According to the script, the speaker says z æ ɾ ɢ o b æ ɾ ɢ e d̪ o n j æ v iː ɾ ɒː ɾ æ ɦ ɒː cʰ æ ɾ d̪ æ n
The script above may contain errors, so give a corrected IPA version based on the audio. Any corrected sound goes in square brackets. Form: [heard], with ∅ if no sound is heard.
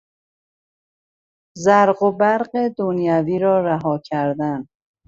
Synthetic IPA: z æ ɾ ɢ o b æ ɾ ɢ e d̪ o n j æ v iː ɾ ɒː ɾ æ ɦ ɒː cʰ æ ɾ d̪ æ n